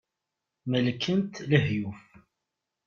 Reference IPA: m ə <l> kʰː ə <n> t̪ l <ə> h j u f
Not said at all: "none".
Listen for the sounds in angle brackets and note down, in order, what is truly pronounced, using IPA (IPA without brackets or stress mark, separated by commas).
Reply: l, n, ə